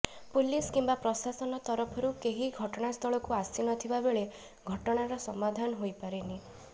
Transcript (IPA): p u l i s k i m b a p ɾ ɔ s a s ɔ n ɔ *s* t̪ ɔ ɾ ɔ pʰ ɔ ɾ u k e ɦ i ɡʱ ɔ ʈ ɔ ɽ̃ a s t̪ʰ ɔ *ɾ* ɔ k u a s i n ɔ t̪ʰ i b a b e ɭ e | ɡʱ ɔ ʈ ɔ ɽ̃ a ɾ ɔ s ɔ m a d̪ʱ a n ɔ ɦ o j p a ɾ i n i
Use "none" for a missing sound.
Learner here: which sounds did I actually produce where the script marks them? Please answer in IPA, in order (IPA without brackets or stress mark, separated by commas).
none, ɭ